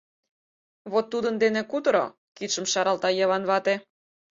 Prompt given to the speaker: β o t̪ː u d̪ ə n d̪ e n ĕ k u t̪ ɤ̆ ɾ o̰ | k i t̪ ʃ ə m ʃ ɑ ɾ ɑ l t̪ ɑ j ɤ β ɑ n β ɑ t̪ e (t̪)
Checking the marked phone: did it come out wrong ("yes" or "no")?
yes